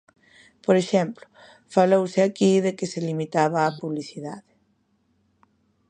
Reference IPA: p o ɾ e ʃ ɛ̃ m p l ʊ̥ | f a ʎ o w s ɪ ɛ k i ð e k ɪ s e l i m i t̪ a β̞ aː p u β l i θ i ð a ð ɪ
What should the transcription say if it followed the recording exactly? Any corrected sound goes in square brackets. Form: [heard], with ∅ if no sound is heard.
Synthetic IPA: p o ɾ e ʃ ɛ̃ m p l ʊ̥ | f a [l] o w s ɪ [a] k i ð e k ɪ s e l i m i t̪ a β̞ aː p u β l i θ i ð a ð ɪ